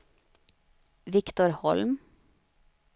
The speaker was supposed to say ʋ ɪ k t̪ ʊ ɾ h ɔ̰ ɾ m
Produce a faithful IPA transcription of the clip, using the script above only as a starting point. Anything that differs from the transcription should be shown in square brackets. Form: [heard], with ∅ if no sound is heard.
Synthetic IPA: ʋ ɪ k t̪ ʊ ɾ h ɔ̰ [l] m

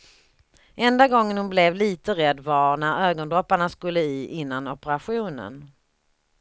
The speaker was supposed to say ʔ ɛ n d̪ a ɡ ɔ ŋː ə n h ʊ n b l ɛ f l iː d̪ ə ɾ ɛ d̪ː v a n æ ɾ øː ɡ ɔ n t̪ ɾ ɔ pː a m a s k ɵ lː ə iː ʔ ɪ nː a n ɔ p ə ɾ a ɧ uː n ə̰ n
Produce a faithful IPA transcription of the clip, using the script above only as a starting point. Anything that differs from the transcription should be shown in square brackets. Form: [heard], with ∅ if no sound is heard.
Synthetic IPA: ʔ ɛ n d̪ a ɡ ɔ ŋː ə n h ʊ n b l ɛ [v] l iː [t̪] ə ɾ ɛ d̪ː v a n æ ɾ øː ɡ ɔ n [d̪] ɾ ɔ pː a [ɳ] a s k ɵ lː ə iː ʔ ɪ nː a n ɔ p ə ɾ a ɧ uː n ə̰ n

